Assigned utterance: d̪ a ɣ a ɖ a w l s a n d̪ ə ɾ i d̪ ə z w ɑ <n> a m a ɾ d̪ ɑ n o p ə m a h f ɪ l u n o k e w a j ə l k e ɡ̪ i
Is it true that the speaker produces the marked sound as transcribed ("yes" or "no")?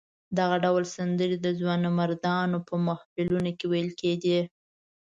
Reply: yes